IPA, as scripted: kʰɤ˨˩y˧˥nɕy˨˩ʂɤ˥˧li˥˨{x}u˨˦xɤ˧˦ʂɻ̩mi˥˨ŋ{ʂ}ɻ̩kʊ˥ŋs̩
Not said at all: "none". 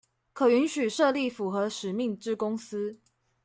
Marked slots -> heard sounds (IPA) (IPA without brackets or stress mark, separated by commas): f, ʈ͡ʂ